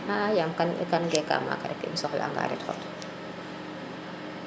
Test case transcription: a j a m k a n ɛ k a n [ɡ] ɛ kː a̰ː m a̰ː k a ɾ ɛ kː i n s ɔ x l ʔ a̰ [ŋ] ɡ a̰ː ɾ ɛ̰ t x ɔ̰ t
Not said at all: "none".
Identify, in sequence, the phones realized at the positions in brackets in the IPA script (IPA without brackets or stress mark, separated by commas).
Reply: ɡ, ŋ